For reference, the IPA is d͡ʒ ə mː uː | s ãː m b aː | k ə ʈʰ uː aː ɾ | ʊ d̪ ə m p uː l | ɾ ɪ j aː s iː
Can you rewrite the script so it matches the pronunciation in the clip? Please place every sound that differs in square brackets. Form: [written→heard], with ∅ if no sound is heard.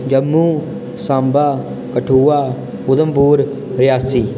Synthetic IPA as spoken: d͡ʒ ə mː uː | s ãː m b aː | k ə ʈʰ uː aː [ɾ→∅] | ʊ d̪ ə m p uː [l→ɾ] | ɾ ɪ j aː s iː